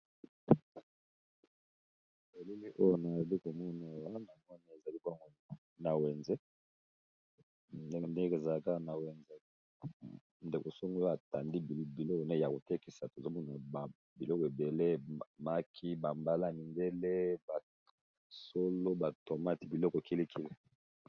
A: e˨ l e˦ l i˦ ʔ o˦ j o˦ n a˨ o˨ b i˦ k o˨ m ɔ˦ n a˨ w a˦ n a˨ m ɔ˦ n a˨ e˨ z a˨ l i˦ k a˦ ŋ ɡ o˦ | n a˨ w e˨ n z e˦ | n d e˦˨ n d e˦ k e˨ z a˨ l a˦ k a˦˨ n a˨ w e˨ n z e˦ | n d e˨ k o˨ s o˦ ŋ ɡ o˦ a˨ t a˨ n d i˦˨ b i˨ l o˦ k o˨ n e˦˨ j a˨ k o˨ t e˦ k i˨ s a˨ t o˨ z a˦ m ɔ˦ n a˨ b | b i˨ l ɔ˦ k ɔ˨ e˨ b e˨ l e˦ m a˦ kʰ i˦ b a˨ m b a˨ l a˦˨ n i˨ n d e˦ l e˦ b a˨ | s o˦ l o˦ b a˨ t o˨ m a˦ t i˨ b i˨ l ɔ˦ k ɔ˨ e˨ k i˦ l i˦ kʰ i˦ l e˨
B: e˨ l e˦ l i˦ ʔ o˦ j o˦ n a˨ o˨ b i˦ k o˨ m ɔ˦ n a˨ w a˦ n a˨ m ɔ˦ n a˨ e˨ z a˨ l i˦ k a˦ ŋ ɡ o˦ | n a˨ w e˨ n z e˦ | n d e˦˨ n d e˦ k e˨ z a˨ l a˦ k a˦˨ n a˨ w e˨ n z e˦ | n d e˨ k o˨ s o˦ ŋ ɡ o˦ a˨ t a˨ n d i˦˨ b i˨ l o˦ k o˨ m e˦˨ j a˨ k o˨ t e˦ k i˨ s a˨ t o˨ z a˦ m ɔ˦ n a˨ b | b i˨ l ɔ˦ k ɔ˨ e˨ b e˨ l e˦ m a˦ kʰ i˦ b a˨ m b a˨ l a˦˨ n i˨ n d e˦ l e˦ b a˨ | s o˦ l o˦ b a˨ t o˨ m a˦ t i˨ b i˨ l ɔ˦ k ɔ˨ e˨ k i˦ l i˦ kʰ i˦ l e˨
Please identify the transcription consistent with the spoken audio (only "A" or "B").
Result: A